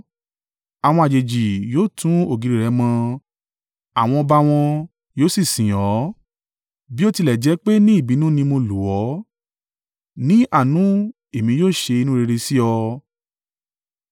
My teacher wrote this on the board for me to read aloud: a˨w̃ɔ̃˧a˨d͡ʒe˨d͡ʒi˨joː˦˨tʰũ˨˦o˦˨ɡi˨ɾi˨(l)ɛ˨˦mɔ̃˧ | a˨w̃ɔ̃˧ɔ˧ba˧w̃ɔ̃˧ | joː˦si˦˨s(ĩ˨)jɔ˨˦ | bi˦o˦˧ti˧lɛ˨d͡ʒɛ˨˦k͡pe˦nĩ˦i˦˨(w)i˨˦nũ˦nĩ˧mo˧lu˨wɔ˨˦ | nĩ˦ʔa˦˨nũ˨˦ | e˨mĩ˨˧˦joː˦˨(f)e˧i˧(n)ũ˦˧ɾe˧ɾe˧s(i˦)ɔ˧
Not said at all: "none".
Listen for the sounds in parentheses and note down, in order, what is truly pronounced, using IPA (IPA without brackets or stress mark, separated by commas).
ɾ, ĩ˨, b, ʃ, n, i˦